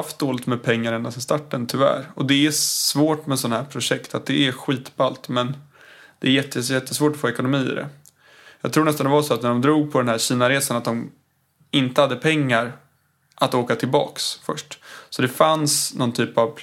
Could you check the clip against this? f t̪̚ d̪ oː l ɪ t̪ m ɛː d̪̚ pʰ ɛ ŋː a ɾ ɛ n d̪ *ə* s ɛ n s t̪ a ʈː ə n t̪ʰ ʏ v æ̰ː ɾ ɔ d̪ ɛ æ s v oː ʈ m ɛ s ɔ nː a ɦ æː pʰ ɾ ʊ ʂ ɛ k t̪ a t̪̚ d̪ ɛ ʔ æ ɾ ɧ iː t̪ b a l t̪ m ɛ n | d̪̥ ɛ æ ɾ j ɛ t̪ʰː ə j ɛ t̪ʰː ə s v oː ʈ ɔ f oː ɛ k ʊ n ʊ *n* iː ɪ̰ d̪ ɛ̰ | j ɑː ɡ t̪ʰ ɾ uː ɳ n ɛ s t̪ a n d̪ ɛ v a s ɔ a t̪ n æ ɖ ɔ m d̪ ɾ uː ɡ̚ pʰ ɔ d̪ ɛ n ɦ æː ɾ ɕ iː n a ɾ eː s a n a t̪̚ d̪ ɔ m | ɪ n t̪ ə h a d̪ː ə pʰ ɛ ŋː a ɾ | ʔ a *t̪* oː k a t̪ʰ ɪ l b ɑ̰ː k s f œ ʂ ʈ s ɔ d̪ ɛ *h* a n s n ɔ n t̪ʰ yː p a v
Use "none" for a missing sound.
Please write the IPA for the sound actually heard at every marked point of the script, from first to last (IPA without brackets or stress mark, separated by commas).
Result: a, m, t̪, f